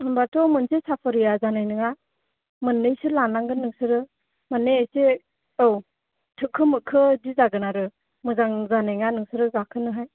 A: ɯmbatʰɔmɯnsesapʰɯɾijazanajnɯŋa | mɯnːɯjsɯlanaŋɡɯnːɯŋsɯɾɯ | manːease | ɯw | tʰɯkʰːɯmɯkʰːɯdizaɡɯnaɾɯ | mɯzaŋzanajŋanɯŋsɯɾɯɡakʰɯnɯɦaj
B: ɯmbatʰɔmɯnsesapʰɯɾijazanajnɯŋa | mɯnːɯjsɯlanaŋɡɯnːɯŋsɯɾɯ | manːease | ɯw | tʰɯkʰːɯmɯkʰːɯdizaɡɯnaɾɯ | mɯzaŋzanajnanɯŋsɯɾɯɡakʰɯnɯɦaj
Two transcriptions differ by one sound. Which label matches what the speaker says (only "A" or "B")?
A